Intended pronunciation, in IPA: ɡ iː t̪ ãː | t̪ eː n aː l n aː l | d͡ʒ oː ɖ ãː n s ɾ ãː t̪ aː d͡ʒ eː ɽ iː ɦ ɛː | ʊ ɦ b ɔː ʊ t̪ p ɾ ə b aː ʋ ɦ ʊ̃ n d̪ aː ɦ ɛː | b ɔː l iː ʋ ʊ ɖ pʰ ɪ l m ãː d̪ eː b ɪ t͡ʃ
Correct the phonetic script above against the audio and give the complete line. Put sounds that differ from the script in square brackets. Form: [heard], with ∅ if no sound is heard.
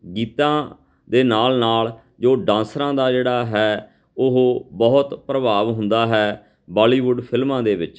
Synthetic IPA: ɡ iː t̪ ãː | [d̪] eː n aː l n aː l | d͡ʒ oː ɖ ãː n s ɾ ãː [d̪] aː d͡ʒ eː ɽ [aː] ɦ ɛː | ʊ ɦ b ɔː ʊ t̪ p ɾ ə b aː ʋ ɦ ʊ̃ n d̪ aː ɦ ɛː | b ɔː l iː ʋ ʊ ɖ pʰ ɪ l m ãː d̪ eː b ɪ t͡ʃ